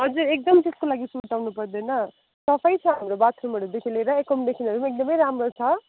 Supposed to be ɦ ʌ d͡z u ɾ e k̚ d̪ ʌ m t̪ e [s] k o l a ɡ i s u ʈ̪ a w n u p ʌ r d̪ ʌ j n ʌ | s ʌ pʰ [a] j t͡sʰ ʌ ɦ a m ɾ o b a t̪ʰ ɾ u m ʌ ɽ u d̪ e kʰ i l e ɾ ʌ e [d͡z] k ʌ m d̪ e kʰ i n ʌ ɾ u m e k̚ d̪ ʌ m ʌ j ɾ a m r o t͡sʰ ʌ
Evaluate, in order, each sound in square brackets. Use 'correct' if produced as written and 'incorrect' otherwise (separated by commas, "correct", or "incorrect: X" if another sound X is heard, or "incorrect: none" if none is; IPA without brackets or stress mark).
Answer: correct, incorrect: ʌ, incorrect: none